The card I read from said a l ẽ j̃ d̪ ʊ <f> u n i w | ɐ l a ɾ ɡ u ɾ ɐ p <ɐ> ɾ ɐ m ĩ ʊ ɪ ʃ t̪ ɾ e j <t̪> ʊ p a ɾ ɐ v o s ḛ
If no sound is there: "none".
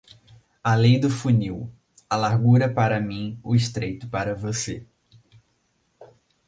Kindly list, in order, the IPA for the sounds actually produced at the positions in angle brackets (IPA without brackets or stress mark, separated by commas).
f, a, t̪